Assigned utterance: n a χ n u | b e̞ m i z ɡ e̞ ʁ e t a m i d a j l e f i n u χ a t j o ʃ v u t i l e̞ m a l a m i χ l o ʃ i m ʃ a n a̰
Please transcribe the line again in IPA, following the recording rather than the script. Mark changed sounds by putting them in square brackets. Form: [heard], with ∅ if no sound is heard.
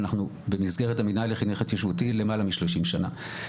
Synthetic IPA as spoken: n a χ n u | b e̞ m i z ɡ e̞ ʁ e t a m i [n] a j l e [χ] i n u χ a t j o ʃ v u t i l e̞ m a l a m i [ʃ] l o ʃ i m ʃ a n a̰